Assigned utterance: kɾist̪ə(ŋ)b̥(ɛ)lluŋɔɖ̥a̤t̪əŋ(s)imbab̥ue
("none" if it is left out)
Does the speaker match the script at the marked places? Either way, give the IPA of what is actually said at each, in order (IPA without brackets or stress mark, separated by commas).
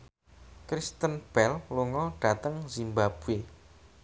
n, ɛ, z